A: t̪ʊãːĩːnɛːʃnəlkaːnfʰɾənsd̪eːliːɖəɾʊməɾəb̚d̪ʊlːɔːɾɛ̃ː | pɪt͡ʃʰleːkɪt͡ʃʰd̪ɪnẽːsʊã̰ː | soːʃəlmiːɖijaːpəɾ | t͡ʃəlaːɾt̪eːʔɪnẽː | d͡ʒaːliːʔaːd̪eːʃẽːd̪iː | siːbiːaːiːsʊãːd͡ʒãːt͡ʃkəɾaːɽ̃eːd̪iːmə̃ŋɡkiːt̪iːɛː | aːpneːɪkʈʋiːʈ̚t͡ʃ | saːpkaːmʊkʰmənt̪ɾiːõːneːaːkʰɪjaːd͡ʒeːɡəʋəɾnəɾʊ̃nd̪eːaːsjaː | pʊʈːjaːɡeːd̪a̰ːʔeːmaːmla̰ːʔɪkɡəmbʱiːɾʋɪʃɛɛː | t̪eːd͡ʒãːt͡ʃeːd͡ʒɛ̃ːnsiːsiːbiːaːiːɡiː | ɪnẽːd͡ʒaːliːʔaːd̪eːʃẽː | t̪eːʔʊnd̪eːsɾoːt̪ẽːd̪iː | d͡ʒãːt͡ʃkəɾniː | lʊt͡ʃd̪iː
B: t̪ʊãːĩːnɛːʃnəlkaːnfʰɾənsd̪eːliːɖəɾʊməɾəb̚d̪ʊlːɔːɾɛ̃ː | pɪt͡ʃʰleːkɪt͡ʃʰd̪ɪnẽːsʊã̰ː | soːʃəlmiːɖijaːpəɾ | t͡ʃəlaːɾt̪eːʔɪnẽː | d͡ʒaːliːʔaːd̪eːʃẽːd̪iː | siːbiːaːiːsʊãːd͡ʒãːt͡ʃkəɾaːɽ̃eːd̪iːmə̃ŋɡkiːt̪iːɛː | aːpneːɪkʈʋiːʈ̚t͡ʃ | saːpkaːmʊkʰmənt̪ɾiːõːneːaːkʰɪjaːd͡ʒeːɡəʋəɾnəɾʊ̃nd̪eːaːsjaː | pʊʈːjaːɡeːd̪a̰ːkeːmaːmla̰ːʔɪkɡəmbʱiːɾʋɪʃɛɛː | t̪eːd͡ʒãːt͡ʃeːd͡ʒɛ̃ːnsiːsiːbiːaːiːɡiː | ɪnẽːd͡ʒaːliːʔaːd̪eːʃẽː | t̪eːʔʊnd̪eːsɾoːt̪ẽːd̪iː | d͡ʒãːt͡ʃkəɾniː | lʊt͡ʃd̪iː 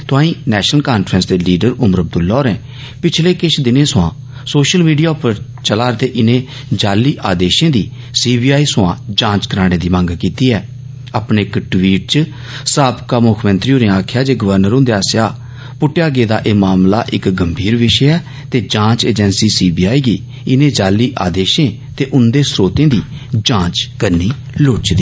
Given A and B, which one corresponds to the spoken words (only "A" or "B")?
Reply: A